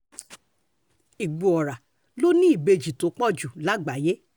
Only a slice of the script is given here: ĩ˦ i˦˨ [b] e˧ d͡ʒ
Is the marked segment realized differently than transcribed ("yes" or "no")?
no